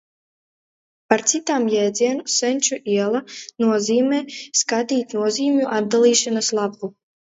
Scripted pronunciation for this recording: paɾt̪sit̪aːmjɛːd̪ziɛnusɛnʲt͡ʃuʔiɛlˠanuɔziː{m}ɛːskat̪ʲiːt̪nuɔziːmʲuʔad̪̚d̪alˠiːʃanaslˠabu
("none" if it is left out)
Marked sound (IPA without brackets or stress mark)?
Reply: m